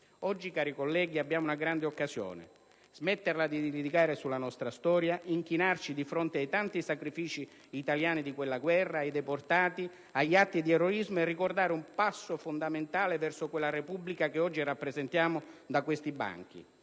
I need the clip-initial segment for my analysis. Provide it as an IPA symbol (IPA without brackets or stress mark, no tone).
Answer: ɔ